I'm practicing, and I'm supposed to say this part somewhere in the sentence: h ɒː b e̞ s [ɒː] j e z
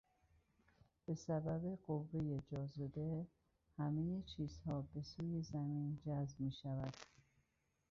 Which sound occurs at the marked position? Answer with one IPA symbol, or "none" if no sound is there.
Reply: uː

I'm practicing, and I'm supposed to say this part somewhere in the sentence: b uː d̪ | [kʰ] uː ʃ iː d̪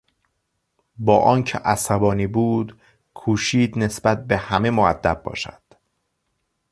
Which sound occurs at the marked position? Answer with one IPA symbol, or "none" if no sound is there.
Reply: kʰ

